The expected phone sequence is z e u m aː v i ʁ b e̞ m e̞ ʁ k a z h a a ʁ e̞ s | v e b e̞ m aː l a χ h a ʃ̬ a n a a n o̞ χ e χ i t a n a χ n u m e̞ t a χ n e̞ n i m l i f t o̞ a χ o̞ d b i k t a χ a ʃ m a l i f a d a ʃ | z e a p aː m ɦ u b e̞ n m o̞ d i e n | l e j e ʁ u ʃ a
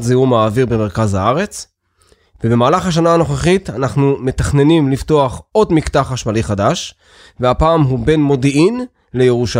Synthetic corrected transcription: z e u m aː v i ʁ b e̞ m e̞ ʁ k a z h a a ʁ e̞ t͡s | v e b e̞ m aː l a χ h a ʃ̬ a n a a n o̞ χ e χ i t a n a χ n u m e̞ t a χ n e̞ n i m l i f t o̞ a χ o̞ d m i k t a χ a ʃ m a l i χ a d a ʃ | v e a p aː m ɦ u b e̞ n m o̞ d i i n | l e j e ʁ u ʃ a